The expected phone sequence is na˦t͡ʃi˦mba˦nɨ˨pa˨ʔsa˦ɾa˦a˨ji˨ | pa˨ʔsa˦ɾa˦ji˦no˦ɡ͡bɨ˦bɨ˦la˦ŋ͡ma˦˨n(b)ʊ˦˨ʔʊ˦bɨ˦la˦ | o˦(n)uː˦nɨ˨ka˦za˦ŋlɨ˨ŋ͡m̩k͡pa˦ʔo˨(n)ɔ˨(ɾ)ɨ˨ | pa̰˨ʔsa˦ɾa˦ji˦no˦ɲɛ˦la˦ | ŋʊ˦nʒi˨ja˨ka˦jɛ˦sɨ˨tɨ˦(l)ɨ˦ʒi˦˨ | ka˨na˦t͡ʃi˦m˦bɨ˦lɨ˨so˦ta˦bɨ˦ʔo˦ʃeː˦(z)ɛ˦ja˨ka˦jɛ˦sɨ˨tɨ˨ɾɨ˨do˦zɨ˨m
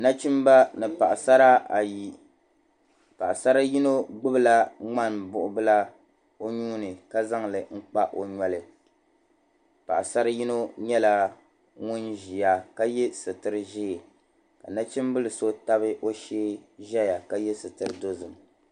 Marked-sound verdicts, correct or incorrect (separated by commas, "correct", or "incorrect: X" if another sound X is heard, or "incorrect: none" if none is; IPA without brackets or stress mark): correct, incorrect: ɲ, incorrect: ɲ, incorrect: l, incorrect: ɾ, incorrect: ʒ